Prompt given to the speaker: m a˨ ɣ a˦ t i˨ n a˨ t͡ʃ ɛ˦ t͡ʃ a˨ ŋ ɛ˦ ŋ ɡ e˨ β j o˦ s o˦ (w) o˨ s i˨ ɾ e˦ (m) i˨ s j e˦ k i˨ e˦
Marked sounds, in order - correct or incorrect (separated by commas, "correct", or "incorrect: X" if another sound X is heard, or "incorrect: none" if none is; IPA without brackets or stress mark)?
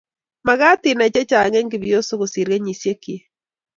incorrect: ɣ, incorrect: ɲ